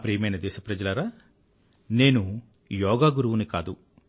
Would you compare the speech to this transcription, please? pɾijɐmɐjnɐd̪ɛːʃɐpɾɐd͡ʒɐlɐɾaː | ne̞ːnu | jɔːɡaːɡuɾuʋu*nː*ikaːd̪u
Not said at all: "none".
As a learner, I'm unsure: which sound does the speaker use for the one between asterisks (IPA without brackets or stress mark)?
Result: n